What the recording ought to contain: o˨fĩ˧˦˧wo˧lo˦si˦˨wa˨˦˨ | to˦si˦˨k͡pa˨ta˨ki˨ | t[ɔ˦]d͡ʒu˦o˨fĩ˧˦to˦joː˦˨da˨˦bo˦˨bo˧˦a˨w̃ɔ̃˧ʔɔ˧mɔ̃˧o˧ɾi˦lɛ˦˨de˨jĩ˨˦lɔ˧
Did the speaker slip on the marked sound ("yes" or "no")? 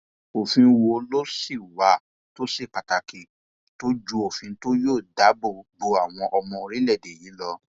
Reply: yes